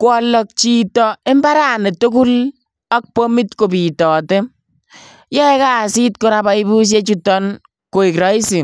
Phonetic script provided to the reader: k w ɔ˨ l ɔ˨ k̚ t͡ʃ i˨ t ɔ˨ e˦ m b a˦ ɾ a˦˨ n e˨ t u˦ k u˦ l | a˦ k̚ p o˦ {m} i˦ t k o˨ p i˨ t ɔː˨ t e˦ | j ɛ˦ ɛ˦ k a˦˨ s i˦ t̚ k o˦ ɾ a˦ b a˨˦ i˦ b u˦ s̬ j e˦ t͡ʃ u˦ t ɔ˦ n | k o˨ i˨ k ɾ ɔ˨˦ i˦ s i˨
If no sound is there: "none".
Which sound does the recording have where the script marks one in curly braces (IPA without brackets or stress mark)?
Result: m